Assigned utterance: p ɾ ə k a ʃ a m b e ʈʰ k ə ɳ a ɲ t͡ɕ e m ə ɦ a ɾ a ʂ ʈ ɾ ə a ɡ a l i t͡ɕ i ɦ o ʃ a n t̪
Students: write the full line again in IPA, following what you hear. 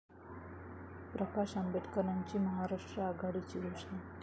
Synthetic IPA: p ɾ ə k a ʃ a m b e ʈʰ k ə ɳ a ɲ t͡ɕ i m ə ɦ a ɾ a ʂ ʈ ɾ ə a ɡ a ɽ i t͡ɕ i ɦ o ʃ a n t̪